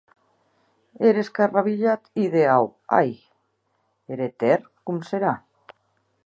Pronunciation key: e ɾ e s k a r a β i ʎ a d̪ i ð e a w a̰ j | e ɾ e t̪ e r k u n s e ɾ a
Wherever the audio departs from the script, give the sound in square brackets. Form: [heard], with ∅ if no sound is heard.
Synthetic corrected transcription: e ɾ e s k a r a β i ʎ a [t̪] i ð e a w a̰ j | e ɾ e t̪ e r k u [m] s e ɾ a